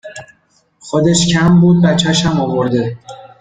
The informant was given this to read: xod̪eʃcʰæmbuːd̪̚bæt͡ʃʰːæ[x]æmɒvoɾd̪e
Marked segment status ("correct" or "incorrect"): incorrect